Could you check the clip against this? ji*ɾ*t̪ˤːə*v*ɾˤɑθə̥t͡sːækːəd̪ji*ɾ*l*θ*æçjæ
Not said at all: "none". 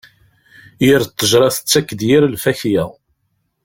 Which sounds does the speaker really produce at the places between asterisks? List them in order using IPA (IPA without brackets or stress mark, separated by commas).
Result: ɾ, ʒ, ɾ, f